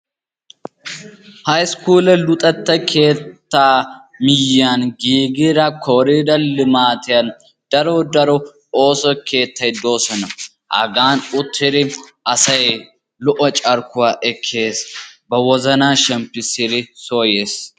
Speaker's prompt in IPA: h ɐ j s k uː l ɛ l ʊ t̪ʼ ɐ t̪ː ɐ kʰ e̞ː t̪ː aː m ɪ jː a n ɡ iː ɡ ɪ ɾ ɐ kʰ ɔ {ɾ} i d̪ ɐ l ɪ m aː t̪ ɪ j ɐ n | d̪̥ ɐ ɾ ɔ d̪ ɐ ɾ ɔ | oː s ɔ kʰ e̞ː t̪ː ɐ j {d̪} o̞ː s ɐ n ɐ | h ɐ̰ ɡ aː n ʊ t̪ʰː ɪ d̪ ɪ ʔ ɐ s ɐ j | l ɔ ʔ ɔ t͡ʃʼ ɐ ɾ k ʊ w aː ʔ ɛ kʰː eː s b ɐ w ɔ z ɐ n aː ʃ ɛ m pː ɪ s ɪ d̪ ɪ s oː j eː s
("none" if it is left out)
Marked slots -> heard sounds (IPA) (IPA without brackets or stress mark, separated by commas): ɾ, d̪